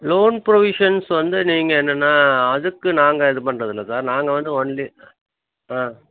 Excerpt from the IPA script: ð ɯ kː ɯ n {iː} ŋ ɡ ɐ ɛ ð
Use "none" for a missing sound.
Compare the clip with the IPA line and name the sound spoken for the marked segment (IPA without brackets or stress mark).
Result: aː